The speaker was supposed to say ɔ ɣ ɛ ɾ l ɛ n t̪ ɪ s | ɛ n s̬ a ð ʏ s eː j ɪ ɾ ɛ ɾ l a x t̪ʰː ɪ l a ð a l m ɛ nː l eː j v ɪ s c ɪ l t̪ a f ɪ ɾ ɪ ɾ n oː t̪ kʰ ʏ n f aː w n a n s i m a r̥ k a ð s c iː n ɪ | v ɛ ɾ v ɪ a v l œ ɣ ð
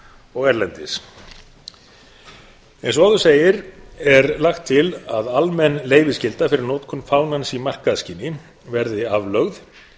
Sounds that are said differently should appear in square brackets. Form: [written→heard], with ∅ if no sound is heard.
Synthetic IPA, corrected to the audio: ɔ ɣ ɛ ɾ l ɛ n t̪ ɪ s | ɛ n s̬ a ð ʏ s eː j ɪ ɾ ɛ ɾ l a x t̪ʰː ɪ l a ð a l m ɛ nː l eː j v ɪ s c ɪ l t̪ a f ɪ ɾ ɪ ɾ n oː t̪ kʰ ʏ n f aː w n a n s i m a r̥ k a ð s c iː n ɪ | v ɛ ɾ [v→ð] ɪ a v l œ ɣ ð

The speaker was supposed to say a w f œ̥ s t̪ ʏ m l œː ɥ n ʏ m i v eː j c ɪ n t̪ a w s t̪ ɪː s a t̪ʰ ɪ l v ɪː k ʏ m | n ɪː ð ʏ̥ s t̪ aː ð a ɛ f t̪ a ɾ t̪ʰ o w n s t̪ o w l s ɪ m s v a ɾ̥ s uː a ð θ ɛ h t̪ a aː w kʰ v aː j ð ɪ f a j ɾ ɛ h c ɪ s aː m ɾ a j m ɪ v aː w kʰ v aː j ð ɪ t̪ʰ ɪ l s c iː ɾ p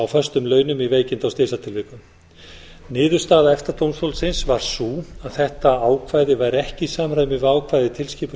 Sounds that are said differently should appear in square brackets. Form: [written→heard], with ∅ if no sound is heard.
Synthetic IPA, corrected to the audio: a w f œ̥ s t̪ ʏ m l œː ɥ n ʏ m i v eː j c ɪ n t̪ a w s t̪ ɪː s a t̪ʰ ɪ l v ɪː k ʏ m | n ɪː ð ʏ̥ s t̪ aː ð a ɛ f t̪ a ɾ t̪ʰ o w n s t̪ o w l s ɪ [m→n] s v a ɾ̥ s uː a ð θ ɛ h t̪ a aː w kʰ v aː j ð ɪ [f→v] a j ɾ ɛ h c ɪ s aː m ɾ a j m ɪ v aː w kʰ v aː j ð ɪ t̪ʰ ɪ l s c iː [ɾ→∅] p

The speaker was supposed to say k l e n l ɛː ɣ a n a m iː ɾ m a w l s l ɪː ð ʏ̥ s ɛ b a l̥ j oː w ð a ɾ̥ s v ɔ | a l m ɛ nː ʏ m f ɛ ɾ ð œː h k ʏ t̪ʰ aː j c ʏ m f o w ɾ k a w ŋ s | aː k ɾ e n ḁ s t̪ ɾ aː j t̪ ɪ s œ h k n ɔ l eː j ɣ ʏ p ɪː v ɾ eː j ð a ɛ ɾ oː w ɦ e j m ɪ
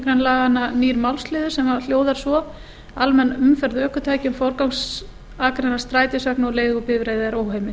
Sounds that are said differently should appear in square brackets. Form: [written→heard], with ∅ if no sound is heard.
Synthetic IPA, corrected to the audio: k [l→ɾ] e n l [ɛː→aː] ɣ a n a [m→n] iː ɾ m a w l s l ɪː ð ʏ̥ s ɛ [b→m] a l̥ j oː w ð a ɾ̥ s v ɔ | a l m ɛ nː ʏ m f ɛ ɾ ð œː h k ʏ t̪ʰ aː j c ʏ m f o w ɾ k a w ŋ s | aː k ɾ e n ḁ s t̪ ɾ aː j t̪ ɪ s œ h k n ɔ l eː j ɣ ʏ p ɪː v ɾ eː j ð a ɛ ɾ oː w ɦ e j m ɪ

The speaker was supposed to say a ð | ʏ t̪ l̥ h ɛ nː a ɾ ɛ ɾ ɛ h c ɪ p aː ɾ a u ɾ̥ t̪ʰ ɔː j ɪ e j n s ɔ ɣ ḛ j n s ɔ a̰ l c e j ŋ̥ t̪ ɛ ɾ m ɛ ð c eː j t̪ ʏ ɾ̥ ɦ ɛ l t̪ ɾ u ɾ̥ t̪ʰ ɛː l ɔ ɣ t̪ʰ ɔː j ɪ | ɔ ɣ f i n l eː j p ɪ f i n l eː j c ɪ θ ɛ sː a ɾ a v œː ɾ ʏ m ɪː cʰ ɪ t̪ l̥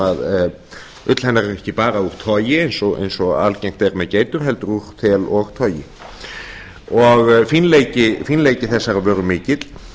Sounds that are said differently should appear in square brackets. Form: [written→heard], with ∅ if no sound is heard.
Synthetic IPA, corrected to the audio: a ð | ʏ t̪ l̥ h ɛ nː a ɾ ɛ ɾ ɛ h c ɪ p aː ɾ a u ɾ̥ t̪ʰ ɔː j ɪ e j n s ɔ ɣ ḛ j n s ɔ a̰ l c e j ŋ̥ t̪ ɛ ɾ m ɛ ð c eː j t̪ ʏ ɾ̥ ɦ ɛ l t̪ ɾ u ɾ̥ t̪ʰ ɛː l ɔ ɣ t̪ʰ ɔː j ɪ | ɔ ɣ f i n l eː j [p→c] ɪ f i n l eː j c ɪ θ ɛ sː a ɾ a v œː ɾ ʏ m ɪː [cʰ→c] ɪ t̪ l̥

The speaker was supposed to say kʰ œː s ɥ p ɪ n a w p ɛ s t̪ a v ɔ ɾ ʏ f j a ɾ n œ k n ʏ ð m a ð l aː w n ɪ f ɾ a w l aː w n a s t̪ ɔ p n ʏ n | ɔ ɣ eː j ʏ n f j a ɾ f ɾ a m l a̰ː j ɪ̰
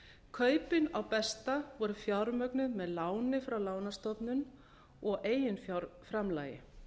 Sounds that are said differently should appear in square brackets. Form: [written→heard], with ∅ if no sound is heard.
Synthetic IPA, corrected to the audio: kʰ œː [s→∅] ɥ p ɪ n a w p ɛ s t̪ a v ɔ ɾ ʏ f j a ɾ [n→m] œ k n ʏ ð m [a→ɛ] ð l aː w n ɪ f ɾ a w l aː w n a s t̪ ɔ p n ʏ n | ɔ ɣ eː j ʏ n f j a ɾ f ɾ a m l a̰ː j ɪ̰

